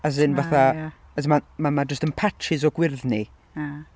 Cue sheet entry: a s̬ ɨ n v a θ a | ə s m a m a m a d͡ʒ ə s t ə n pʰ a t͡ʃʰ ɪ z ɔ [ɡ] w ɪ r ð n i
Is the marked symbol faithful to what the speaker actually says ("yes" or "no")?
yes